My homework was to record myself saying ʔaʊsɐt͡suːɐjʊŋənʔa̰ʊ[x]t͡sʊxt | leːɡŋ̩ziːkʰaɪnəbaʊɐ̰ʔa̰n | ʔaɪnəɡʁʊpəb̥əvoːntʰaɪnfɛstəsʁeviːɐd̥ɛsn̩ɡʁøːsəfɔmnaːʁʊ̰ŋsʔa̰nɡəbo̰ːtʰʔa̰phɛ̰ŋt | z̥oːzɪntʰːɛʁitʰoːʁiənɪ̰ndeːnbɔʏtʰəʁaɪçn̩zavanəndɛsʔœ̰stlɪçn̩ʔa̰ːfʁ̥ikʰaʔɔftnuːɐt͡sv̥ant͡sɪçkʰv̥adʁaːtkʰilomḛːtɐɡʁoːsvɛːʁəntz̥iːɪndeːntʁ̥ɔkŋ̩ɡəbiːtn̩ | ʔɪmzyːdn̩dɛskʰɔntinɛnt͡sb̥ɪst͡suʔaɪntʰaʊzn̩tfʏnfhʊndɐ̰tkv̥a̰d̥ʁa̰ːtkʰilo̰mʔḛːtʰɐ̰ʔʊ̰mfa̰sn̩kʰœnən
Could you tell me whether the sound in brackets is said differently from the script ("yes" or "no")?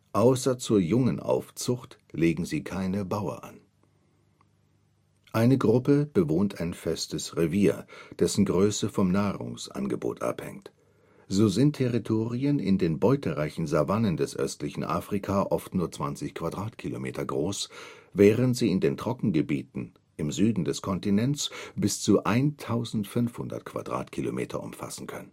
yes